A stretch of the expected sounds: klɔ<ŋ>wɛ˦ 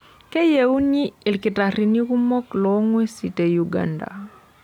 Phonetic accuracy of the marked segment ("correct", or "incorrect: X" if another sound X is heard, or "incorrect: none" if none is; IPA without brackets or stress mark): correct